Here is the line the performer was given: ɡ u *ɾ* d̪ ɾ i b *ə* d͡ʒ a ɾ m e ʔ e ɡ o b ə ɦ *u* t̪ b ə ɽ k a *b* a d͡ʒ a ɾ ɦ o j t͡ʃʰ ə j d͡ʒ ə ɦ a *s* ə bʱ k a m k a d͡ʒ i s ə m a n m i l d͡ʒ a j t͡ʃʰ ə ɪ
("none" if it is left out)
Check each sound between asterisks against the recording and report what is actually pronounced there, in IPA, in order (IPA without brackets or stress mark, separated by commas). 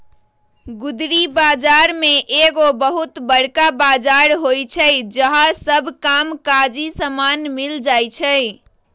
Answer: none, a, u, b, s